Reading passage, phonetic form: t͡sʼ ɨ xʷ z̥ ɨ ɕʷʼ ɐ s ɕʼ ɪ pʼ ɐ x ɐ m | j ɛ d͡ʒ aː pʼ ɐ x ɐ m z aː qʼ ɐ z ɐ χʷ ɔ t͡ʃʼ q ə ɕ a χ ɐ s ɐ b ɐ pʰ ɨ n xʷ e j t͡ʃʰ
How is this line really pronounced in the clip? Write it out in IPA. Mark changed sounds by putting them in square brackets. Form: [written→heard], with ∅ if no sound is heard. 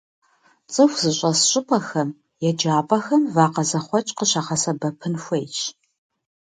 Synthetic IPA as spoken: t͡sʼ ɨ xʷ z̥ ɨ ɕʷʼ ɐ s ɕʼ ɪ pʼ ɐ x ɐ m | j ɛ d͡ʒ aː pʼ ɐ x ɐ m [z→v] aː [qʼ→q] ɐ z ɐ χʷ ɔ t͡ʃʼ q ə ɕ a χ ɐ s ɐ b ɐ pʰ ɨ n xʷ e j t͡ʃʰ